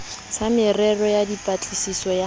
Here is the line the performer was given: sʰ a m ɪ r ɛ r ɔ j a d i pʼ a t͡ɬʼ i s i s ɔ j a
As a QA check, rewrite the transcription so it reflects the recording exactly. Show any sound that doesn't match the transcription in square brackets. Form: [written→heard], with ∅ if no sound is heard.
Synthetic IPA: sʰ a m ɪ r ɛ r ɔ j a d i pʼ a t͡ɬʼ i s i s ɔ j a